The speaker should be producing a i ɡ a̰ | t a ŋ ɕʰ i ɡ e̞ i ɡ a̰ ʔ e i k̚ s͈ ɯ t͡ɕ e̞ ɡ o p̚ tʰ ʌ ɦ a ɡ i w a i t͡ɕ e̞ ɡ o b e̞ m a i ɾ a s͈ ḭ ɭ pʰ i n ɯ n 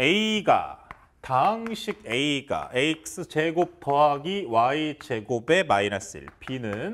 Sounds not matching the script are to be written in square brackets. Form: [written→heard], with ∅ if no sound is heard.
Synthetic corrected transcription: [a→e] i ɡ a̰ | t a ŋ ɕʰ i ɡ e̞ i ɡ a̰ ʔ e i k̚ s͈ ɯ t͡ɕ e̞ ɡ o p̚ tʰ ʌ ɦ a ɡ i w a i t͡ɕ e̞ ɡ o b e̞ m a i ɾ a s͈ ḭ ɭ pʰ i n ɯ n